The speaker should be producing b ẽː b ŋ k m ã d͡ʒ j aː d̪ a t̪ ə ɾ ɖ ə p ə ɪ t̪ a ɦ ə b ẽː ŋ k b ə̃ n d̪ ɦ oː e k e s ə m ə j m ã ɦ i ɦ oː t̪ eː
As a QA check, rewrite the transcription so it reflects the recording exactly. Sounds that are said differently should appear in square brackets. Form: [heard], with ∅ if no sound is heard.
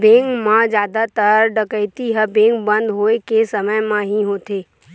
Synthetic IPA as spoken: b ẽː [∅] ŋ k m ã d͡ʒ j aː d̪ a t̪ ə ɾ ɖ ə [k] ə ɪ t̪ [i] ɦ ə b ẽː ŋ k b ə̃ n d̪ ɦ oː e k e s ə m ə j m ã ɦ i ɦ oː t̪ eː